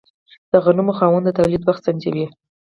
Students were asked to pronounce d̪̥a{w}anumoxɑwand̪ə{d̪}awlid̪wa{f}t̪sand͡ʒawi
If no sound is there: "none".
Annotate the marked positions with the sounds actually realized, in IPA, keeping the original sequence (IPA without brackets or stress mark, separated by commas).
ɣ, t̪, x